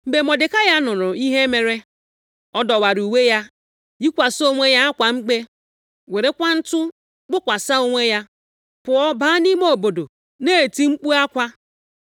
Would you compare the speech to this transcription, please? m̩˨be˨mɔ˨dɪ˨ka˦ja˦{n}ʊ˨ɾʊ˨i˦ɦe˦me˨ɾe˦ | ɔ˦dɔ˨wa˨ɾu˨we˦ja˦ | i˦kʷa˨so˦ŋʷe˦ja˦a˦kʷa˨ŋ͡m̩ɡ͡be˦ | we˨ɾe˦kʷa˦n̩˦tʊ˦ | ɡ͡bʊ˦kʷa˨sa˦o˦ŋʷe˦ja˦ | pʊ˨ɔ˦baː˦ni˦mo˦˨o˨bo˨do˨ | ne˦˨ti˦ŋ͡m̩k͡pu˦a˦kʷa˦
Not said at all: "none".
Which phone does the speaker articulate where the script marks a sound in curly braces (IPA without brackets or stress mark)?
n